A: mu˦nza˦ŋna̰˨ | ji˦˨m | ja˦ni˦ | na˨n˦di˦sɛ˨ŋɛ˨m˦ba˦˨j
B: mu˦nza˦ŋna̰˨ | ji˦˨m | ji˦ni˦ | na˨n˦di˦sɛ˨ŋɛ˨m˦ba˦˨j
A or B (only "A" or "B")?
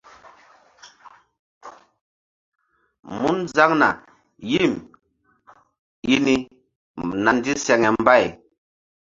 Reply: B